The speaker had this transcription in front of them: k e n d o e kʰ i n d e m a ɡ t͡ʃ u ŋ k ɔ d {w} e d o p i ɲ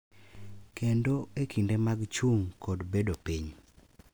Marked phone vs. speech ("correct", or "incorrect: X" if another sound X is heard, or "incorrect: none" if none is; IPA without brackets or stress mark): incorrect: b